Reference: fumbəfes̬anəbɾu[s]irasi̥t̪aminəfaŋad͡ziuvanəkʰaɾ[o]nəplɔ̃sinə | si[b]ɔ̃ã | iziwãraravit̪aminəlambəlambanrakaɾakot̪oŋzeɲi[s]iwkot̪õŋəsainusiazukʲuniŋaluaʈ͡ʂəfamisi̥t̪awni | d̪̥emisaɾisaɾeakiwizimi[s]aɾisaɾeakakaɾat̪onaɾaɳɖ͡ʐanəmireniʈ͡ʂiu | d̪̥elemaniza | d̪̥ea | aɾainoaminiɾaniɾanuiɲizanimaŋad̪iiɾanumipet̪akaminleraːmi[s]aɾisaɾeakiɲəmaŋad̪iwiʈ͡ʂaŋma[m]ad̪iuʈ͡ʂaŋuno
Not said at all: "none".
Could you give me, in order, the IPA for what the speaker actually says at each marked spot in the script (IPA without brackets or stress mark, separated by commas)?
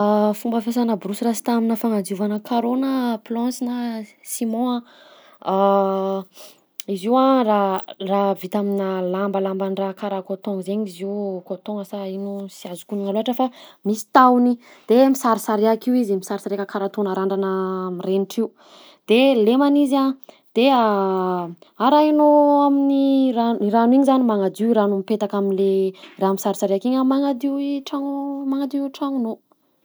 s, o, m, z, s, s, ŋ